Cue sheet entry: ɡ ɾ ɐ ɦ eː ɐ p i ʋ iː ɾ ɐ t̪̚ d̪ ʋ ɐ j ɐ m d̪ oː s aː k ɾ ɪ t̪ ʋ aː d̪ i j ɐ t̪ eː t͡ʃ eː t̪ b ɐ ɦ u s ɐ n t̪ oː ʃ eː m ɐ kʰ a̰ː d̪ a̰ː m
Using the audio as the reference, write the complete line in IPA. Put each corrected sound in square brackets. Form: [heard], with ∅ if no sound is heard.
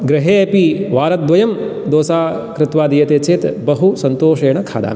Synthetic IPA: ɡ ɾ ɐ ɦ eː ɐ p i ʋ [aː] ɾ ɐ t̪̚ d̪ ʋ ɐ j ɐ m d̪ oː s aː k ɾ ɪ t̪ ʋ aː d̪ i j ɐ t̪ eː t͡ʃ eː t̪ b ɐ ɦ u s ɐ n t̪ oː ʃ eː [ɳ] ɐ kʰ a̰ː d̪ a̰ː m